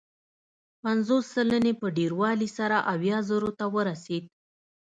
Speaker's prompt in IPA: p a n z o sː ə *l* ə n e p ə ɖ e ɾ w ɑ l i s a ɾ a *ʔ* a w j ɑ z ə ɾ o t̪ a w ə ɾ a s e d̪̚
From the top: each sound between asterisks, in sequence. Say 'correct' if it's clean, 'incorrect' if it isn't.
correct, correct

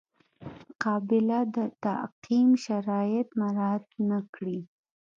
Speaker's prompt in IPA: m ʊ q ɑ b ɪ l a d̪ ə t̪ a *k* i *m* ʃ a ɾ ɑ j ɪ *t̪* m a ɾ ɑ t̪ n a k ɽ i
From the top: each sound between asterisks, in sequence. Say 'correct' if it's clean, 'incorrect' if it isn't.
incorrect: q, correct, correct

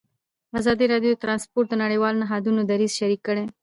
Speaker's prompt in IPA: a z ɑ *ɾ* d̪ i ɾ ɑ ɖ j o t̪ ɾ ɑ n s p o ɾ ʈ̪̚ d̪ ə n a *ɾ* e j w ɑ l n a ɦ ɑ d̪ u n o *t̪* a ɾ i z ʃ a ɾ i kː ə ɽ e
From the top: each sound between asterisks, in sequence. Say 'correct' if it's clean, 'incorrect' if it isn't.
incorrect: none, incorrect: ɽ, incorrect: d̪

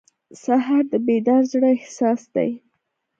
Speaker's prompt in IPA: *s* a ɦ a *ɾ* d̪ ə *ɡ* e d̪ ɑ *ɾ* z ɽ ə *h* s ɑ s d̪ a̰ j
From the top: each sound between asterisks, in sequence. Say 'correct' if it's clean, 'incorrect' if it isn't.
correct, correct, incorrect: b, correct, correct

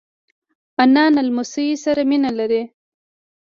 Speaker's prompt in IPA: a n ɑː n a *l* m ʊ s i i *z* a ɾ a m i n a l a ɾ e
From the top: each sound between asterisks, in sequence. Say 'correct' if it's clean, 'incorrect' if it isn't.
correct, incorrect: s

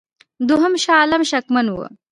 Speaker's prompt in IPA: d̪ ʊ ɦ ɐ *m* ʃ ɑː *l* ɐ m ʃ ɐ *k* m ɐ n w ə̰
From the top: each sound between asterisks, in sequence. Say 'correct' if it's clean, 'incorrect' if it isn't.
correct, correct, correct

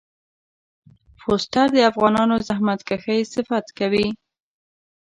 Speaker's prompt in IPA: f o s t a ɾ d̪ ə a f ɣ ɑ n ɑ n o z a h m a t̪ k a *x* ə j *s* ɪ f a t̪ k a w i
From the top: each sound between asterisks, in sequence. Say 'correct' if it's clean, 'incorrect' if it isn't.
correct, correct

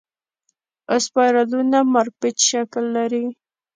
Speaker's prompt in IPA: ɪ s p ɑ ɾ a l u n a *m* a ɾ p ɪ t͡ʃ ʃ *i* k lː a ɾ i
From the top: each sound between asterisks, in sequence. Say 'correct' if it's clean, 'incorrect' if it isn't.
correct, incorrect: a

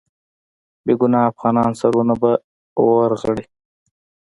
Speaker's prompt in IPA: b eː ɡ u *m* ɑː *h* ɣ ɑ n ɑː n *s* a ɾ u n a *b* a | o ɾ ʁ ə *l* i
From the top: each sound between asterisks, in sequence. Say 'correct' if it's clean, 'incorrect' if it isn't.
incorrect: n, incorrect: f, correct, correct, incorrect: ɽ

